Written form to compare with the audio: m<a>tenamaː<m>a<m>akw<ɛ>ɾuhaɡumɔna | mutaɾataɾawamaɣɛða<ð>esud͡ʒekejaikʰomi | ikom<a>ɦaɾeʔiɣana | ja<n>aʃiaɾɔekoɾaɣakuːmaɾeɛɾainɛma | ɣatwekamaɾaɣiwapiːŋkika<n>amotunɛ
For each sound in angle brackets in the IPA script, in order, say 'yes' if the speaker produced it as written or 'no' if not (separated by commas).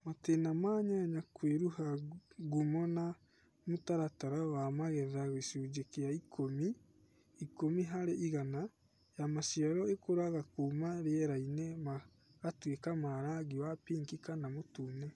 yes, no, no, no, no, no, no, yes